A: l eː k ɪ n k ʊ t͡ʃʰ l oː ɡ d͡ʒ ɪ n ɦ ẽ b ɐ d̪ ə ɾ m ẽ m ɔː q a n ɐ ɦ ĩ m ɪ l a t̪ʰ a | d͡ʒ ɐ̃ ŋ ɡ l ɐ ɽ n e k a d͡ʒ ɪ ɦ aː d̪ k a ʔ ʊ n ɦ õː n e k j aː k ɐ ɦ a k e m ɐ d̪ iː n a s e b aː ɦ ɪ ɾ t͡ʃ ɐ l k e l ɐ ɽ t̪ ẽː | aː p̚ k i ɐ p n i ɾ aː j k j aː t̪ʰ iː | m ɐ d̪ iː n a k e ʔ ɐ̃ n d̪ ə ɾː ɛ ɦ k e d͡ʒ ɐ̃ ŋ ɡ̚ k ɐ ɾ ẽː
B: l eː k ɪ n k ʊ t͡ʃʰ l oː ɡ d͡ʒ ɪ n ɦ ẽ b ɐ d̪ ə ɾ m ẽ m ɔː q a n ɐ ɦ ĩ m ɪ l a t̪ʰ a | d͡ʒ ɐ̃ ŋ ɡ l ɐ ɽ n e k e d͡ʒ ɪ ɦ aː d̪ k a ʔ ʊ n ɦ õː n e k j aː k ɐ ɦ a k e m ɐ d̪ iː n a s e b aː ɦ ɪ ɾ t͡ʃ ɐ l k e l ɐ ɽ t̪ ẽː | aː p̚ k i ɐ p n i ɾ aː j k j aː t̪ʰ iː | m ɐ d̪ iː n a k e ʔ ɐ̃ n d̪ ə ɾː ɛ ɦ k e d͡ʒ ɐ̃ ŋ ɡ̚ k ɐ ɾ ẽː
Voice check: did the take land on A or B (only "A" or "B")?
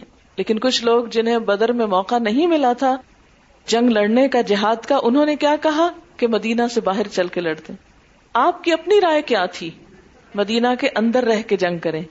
A